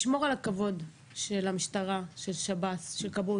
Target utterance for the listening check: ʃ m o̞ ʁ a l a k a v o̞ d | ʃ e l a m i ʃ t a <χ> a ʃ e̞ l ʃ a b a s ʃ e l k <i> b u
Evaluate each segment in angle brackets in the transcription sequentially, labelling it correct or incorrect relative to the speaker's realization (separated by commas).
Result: incorrect, incorrect